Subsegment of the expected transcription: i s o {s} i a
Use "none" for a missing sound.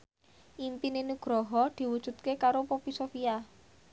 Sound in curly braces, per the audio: f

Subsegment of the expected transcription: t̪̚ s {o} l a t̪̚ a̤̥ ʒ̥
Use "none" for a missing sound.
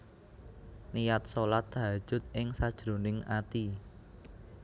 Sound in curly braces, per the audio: o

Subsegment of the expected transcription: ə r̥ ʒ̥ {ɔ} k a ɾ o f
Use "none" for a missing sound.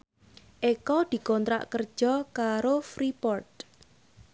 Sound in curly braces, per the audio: ɔ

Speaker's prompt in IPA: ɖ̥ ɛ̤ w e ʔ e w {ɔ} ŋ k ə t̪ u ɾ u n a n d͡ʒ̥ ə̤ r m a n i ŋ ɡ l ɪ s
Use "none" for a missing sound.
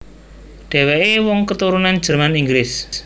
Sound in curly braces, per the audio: ɔ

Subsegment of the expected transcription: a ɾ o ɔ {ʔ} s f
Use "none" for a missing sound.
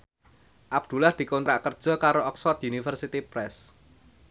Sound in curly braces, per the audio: k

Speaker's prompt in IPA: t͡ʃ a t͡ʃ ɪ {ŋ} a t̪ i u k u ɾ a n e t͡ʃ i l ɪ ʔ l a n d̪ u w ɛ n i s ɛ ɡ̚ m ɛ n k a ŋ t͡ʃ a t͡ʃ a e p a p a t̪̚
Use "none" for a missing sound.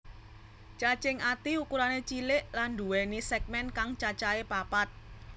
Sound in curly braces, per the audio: ŋ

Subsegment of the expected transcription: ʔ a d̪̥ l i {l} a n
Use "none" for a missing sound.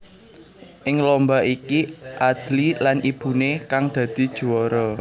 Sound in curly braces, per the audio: l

